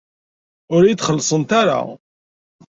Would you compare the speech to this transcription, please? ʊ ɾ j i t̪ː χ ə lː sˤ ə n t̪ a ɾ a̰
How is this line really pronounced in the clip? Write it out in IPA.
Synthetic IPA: ʊ ɾ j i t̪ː χ ə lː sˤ ə n t̪ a ɾ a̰